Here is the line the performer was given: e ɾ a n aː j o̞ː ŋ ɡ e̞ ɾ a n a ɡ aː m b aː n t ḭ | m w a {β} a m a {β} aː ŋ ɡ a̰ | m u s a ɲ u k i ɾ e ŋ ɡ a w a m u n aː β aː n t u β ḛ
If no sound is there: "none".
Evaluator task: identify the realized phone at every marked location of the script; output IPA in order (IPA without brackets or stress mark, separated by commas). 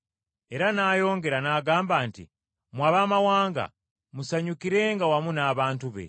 β, w